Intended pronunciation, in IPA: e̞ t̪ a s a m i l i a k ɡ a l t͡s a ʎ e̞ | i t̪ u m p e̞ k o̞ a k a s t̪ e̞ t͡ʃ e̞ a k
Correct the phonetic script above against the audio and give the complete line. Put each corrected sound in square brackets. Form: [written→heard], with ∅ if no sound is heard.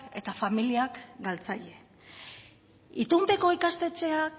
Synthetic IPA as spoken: e̞ t̪ a [s→f] a m i l i a k ɡ a l t͡s a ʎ e̞ | i t̪ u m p e̞ k o̞ [a→i] k a s t̪ e̞ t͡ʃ e̞ a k